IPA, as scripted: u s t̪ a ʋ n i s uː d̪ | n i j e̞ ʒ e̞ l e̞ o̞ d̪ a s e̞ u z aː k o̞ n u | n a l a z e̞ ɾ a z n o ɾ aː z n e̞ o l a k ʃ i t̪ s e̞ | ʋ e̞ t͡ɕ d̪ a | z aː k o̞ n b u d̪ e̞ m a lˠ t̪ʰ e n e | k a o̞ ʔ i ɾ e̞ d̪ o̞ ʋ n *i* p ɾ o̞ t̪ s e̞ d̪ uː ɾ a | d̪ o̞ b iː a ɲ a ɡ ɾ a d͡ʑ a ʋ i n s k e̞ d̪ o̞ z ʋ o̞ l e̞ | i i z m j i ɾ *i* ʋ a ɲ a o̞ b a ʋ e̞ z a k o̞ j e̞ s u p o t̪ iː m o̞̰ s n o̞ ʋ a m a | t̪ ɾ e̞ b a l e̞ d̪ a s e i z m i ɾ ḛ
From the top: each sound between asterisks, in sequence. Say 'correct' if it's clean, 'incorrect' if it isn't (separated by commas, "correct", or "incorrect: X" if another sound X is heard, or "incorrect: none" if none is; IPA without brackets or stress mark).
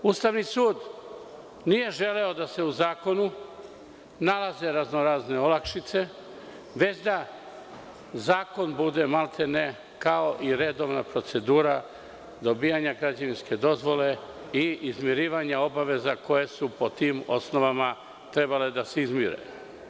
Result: incorrect: a, incorrect: iː